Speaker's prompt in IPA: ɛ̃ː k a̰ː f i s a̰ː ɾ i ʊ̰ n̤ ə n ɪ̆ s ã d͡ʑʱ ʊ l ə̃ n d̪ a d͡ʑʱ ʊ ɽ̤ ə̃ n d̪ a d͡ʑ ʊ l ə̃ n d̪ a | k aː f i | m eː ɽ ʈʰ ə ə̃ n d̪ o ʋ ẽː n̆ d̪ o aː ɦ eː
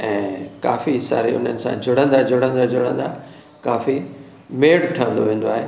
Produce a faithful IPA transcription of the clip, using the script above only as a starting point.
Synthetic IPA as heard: ɛ̃ː k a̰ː f i s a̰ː ɾ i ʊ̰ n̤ ə n ɪ̆ s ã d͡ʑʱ ʊ ɽ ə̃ n d̪ a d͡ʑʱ ʊ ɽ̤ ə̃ n d̪ a d͡ʑ ʊ ɽ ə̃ n d̪ a | k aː f i | m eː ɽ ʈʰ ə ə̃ n d̪ o ʋ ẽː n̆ d̪ o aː ɦ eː